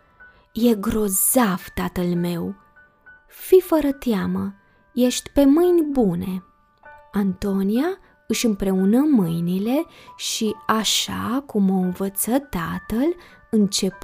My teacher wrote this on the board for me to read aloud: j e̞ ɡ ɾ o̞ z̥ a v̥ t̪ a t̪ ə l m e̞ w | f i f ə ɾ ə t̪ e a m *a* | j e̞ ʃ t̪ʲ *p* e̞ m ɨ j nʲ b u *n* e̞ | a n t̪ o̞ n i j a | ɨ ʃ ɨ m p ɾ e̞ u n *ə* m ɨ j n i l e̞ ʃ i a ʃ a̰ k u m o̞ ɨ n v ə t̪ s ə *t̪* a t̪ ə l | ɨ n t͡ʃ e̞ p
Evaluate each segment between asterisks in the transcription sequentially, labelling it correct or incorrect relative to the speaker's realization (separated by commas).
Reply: incorrect, correct, correct, correct, correct